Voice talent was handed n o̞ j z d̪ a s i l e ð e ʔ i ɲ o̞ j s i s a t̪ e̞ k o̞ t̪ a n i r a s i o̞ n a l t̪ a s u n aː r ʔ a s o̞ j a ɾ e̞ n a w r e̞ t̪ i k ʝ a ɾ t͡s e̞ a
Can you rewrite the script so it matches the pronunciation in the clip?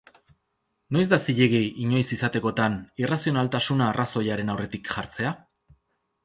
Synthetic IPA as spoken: n o̞ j z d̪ a s i ʎ e ɣ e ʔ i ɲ o̞ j s i s a t̪ e̞ k o̞ t̪ a n i r a s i o̞ n a l t̪ a s u n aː r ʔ a s o̞ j a ɾ e̞ n a w r e̞ t̪ i k ʝ a ɾ t͡s e̞ a